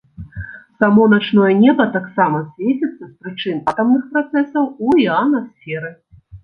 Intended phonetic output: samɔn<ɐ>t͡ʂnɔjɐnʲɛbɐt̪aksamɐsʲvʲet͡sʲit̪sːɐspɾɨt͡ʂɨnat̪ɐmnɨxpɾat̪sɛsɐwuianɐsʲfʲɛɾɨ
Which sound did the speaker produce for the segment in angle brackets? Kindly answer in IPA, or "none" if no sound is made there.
a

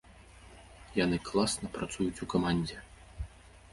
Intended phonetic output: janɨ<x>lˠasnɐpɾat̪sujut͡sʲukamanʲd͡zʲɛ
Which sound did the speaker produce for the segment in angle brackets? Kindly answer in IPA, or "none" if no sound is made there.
k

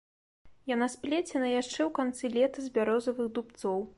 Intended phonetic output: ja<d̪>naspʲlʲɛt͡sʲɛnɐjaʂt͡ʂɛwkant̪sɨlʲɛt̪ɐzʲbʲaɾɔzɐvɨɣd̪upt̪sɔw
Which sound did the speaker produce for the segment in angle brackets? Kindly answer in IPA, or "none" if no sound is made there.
none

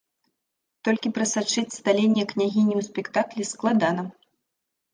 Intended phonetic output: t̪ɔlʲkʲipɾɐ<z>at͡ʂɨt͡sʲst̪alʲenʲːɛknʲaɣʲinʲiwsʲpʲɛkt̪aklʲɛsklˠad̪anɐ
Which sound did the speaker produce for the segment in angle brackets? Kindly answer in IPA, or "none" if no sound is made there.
s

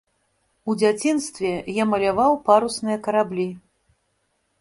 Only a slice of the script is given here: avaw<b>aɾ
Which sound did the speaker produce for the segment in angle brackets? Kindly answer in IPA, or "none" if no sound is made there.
p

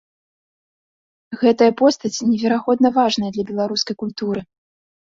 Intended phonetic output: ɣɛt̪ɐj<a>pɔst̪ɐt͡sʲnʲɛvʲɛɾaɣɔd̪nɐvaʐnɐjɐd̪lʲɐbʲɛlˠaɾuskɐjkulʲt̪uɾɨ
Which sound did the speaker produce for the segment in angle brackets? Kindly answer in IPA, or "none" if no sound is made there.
ɐ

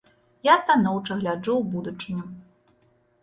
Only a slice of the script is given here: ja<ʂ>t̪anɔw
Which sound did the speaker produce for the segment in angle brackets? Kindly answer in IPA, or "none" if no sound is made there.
s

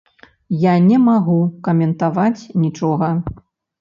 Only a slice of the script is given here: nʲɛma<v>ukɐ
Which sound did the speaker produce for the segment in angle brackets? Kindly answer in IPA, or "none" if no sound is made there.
ɣ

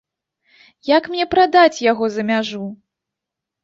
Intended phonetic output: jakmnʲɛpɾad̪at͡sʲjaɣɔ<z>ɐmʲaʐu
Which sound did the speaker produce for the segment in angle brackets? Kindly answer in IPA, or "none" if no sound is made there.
z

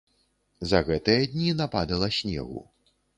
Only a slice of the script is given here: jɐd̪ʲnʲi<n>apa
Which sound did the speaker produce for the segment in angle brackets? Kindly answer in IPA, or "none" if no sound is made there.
n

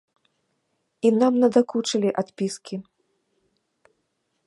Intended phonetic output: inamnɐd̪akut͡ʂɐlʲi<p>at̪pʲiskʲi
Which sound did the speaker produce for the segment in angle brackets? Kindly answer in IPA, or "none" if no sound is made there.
ʔ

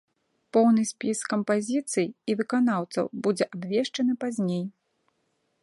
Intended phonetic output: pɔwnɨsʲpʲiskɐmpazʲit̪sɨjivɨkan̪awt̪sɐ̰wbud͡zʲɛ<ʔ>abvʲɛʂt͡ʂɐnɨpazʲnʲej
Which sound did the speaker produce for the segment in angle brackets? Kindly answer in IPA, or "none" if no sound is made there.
ʔ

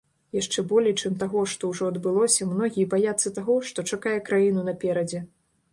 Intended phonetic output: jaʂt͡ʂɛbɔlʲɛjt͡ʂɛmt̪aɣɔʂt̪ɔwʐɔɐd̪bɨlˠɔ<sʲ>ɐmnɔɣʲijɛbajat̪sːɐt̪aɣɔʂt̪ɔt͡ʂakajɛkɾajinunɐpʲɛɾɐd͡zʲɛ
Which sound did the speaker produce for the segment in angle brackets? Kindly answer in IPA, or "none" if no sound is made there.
sʲ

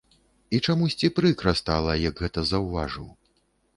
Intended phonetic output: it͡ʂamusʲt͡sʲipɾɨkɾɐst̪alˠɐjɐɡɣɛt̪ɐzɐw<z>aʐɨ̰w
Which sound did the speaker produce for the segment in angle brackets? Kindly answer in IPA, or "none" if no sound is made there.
v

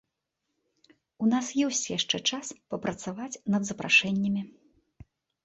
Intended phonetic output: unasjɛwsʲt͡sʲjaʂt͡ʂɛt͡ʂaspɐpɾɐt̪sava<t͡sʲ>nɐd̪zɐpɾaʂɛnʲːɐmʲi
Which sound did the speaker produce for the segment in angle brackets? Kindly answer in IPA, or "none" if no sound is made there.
t͡sʲ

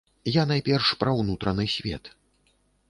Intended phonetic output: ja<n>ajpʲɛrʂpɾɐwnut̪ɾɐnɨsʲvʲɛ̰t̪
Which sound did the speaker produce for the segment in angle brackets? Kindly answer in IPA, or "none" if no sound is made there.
n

